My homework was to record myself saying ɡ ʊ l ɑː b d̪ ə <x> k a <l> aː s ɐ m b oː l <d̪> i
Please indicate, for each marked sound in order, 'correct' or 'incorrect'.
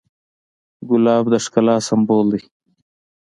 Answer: incorrect: ʂ, correct, correct

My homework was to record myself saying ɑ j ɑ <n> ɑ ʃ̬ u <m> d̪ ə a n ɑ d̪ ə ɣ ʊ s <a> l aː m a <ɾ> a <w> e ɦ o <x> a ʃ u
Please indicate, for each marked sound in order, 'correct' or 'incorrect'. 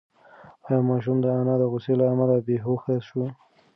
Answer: incorrect: m, correct, incorrect: e, incorrect: l, incorrect: b, correct

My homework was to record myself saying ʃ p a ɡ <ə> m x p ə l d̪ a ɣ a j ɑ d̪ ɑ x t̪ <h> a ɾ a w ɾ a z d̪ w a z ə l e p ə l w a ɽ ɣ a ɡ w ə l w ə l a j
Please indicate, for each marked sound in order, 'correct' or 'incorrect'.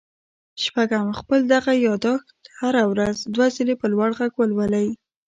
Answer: incorrect: a, correct

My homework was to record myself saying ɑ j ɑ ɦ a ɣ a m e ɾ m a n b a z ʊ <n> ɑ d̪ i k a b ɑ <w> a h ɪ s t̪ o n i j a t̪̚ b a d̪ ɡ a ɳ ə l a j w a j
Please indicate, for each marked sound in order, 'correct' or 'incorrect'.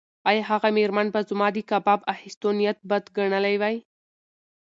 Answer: incorrect: m, incorrect: b

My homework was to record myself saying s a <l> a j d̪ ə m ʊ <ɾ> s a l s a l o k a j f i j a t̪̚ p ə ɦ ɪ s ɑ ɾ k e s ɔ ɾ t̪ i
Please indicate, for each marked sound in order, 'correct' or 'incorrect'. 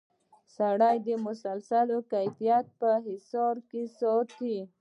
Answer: incorrect: ɽ, incorrect: none

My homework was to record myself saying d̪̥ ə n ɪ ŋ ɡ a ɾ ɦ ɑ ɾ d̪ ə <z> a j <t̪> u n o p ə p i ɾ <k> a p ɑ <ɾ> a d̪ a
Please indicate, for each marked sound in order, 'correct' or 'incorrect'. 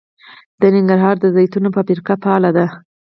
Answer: correct, correct, correct, incorrect: l

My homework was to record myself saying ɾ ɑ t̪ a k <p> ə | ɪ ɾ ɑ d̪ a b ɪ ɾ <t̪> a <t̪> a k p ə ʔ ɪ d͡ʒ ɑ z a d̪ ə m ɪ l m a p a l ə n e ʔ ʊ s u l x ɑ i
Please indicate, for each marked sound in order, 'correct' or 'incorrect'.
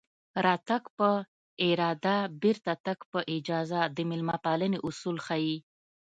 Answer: correct, correct, correct

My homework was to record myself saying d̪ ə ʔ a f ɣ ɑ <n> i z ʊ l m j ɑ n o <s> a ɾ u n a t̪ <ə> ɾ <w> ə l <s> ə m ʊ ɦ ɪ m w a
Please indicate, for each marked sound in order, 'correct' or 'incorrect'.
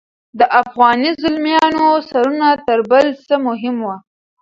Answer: correct, correct, correct, incorrect: b, correct

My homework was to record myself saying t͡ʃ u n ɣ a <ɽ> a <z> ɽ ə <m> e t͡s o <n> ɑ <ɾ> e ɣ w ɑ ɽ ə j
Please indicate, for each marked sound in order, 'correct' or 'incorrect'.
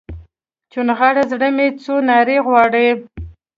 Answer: correct, correct, correct, correct, correct

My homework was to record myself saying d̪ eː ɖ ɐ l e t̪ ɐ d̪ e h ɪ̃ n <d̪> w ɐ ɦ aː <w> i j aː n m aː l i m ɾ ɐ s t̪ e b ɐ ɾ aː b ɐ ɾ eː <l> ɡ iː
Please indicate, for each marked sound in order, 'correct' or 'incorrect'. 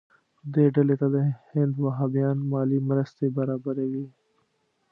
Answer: correct, incorrect: b, incorrect: none

